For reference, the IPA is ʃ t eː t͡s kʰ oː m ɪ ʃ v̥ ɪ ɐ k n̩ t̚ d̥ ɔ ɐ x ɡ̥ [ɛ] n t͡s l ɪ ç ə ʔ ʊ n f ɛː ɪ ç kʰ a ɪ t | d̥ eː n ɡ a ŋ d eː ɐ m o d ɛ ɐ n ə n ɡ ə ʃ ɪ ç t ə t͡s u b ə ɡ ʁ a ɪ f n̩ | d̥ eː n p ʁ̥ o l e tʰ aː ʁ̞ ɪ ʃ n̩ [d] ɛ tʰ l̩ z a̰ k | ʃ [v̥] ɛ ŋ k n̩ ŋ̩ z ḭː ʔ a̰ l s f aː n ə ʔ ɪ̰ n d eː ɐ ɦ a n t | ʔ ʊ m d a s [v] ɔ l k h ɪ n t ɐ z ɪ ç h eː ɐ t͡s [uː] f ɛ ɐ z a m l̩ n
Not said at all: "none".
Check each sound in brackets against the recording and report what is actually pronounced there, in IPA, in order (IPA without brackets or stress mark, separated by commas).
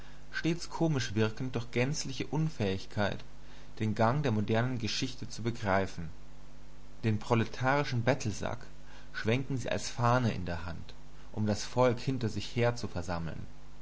ɛ, b, v̥, f, u